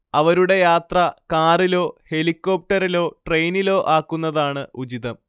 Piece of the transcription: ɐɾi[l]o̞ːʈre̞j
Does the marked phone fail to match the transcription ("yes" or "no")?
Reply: no